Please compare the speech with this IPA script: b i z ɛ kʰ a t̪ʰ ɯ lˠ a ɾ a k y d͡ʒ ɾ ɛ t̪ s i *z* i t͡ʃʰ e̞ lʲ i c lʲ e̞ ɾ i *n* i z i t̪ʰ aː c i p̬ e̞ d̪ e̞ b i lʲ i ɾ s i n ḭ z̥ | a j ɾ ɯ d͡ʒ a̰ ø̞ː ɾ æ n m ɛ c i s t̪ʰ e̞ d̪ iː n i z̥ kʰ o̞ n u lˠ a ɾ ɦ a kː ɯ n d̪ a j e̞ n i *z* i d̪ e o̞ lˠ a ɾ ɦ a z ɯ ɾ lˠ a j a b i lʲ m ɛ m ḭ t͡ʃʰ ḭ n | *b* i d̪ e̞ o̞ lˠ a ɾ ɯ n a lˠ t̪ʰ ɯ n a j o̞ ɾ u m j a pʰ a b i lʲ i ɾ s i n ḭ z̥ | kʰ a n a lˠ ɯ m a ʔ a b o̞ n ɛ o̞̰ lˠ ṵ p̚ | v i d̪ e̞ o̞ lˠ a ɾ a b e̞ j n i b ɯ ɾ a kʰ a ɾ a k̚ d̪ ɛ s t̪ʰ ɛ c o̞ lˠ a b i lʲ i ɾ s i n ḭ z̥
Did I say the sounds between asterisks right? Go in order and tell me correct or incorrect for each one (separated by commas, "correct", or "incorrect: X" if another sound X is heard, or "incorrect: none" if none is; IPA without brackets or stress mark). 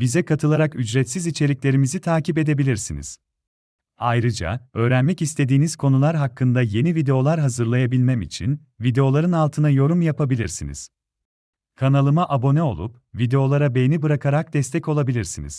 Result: correct, incorrect: m, incorrect: v, incorrect: v